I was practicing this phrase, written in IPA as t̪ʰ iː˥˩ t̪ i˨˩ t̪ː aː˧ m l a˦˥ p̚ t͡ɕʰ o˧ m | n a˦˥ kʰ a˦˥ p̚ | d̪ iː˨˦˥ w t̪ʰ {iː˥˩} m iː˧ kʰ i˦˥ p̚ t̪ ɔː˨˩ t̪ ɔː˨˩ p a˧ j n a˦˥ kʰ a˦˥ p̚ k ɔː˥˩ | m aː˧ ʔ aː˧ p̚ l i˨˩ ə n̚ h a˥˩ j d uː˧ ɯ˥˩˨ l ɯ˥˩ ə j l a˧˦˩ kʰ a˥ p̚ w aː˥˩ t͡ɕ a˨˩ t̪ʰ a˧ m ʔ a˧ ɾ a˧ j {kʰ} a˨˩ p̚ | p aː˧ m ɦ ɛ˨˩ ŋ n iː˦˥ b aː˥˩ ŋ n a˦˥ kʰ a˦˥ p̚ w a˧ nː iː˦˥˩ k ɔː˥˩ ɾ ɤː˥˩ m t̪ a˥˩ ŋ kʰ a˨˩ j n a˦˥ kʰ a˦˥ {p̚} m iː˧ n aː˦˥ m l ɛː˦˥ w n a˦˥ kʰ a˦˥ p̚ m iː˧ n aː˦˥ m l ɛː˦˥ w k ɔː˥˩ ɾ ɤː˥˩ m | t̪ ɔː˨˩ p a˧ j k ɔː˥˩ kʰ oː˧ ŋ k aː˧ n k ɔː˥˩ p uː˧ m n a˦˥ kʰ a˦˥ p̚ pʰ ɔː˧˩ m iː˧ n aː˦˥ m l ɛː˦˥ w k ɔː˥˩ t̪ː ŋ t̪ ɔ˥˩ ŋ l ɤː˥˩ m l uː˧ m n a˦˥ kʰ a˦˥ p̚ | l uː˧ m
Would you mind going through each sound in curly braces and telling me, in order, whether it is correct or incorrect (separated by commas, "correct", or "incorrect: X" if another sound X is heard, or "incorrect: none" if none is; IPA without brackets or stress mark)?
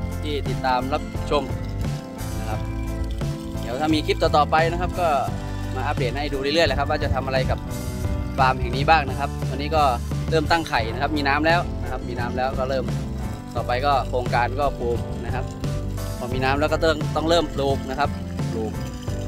incorrect: aː˥˩, incorrect: k, correct